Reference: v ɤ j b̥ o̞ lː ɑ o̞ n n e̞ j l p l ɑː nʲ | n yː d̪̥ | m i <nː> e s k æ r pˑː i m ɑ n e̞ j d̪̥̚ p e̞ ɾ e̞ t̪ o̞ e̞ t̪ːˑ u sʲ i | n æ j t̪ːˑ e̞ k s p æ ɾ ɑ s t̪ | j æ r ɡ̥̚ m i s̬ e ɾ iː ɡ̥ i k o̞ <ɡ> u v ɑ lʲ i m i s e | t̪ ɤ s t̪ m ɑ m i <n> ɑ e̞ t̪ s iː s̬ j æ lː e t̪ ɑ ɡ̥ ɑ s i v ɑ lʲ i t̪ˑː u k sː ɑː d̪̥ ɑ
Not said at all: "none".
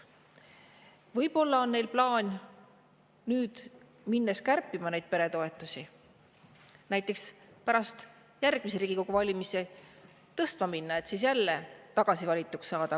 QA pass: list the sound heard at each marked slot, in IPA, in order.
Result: nː, ɡ, nː

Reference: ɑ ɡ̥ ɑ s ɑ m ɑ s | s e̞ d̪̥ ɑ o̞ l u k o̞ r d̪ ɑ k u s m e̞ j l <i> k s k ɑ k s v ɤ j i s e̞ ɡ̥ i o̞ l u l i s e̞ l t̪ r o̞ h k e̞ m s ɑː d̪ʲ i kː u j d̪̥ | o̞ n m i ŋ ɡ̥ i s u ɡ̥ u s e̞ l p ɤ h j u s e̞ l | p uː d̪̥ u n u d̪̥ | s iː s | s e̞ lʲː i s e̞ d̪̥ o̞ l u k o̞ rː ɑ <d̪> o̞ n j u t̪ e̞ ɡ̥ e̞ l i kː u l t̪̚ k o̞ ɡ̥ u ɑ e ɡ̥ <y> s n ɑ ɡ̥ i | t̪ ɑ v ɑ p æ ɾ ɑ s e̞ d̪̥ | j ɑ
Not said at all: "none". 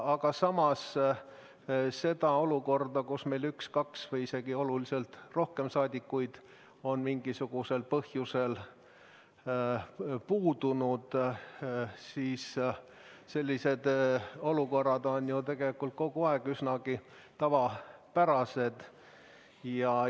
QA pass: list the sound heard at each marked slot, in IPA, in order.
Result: y, d̪, y

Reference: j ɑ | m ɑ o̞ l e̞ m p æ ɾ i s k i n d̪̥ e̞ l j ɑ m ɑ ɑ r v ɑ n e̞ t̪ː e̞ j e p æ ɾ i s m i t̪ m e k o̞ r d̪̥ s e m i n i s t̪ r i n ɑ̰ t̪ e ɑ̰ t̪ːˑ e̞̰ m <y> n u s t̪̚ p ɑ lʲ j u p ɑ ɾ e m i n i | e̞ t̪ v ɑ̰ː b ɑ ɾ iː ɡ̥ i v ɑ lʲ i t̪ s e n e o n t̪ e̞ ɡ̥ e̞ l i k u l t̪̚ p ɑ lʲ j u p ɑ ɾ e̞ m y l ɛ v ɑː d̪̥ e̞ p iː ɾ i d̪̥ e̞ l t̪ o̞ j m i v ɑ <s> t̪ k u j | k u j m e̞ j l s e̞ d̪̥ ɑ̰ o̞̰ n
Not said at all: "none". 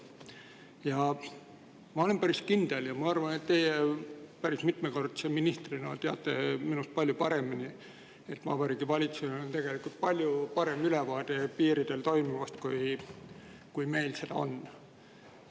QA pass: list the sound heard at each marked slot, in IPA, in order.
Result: i, s

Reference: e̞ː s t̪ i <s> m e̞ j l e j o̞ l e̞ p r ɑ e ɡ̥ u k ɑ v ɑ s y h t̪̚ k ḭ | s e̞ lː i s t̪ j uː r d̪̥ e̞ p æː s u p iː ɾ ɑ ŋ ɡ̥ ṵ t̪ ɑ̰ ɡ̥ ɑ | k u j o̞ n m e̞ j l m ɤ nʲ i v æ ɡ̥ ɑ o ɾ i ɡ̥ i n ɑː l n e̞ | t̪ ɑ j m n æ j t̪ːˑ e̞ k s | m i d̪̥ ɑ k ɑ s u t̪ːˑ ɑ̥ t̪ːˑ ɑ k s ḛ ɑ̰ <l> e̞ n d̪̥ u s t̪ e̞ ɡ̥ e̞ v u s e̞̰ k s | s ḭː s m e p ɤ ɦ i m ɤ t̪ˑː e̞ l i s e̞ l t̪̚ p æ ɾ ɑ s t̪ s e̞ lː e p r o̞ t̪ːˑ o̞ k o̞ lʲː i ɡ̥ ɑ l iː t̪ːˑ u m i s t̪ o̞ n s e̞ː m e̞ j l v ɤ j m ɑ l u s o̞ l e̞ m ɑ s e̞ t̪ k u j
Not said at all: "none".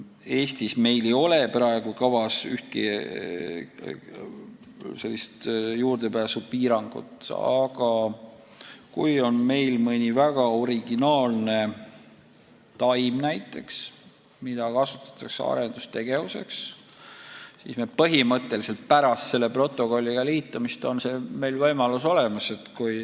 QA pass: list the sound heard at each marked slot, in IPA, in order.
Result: s, ɾ

